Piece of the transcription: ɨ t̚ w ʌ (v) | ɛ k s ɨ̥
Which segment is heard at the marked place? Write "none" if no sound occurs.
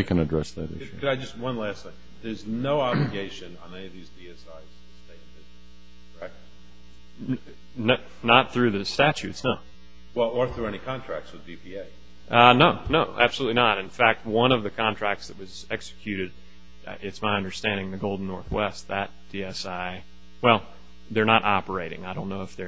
z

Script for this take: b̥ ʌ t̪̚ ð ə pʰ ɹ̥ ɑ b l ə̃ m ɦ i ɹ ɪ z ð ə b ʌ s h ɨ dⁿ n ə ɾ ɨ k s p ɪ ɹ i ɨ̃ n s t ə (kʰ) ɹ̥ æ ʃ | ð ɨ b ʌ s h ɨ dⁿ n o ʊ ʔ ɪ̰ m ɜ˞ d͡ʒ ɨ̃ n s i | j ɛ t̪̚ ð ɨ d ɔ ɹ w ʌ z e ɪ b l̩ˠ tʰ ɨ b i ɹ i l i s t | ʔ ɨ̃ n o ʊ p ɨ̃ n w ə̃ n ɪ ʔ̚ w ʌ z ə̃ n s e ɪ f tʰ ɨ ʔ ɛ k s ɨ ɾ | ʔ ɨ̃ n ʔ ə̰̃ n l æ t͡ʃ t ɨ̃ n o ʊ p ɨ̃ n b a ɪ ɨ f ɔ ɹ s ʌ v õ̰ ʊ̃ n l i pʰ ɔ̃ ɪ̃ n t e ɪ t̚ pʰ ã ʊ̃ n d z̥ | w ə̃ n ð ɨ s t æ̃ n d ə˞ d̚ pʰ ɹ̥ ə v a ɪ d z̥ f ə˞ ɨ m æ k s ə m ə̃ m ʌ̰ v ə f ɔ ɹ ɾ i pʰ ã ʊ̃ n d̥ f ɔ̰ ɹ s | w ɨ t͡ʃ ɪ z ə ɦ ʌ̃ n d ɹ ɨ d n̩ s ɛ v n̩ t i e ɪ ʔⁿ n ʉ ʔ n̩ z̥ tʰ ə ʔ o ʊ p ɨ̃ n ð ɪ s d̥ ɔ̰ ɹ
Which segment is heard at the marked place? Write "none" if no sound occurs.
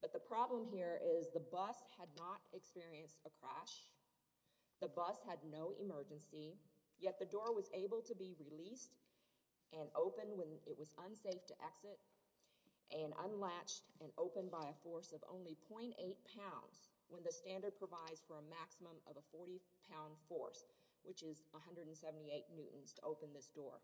kʰ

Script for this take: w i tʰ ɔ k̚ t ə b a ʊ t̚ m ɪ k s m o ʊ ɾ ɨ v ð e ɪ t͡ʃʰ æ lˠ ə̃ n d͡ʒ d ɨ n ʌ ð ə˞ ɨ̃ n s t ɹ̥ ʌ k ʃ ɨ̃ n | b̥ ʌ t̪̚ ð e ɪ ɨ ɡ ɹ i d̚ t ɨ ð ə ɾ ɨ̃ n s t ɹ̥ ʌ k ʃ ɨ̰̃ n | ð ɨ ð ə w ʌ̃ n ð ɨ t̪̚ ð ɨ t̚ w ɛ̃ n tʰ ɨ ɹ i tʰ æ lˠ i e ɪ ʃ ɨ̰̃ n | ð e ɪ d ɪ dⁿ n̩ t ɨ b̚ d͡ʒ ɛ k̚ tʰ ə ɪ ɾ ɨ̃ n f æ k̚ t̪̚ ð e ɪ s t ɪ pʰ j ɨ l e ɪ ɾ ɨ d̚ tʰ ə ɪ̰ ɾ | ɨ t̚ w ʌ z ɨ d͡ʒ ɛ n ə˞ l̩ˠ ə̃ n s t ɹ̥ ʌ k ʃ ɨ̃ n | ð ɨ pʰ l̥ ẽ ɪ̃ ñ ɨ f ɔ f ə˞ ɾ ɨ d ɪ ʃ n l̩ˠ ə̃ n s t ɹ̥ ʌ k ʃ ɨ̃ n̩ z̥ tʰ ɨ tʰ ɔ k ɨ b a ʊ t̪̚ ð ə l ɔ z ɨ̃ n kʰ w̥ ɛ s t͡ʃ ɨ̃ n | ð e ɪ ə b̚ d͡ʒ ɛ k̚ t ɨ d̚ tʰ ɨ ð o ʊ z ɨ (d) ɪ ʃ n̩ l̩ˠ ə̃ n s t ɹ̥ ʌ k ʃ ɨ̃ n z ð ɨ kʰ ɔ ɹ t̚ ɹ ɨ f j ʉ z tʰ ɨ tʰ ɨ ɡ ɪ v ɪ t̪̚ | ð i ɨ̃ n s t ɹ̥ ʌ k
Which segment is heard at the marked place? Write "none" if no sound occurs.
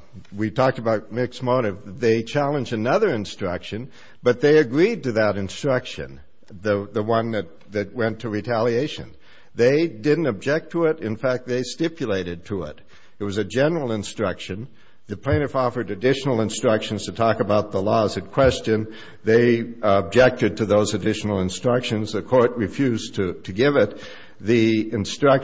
d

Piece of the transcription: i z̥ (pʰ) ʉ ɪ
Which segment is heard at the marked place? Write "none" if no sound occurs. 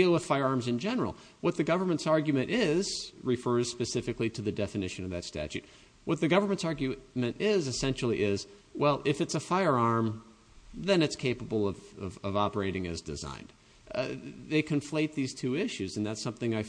tʰ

